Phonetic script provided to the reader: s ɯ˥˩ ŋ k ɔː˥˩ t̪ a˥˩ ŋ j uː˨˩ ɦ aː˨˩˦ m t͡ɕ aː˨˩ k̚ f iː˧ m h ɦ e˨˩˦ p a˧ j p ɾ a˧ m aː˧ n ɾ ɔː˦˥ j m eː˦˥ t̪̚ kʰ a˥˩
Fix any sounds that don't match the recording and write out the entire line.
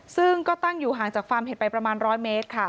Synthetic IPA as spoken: s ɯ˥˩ ŋ k ɔː˥˩ t̪ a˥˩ ŋ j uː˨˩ ɦ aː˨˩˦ ŋ t͡ɕ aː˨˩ k̚ f aː˧ m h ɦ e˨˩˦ p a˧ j p ɾ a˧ m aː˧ n ɾ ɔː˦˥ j m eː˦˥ t̪̚ kʰ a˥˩